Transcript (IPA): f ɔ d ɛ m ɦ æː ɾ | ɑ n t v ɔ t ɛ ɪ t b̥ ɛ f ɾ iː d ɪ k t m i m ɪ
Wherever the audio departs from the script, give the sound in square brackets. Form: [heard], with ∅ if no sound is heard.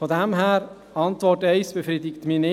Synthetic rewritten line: f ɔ d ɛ m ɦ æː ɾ | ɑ n t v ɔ t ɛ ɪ [s] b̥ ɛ f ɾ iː d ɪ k t m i [n] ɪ